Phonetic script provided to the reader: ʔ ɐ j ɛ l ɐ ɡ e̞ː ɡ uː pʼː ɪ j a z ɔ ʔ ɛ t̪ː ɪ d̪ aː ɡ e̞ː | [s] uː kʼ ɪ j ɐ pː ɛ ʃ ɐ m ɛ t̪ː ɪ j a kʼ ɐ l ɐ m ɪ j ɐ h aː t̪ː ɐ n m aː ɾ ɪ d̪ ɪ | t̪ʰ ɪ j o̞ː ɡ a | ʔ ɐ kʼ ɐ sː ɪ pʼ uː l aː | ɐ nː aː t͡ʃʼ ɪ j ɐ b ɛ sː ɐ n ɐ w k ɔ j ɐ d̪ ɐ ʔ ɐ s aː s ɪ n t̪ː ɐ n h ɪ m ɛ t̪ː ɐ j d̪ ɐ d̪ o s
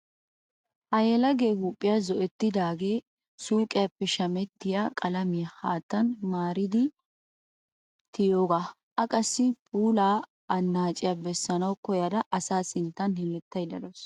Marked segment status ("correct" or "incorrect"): correct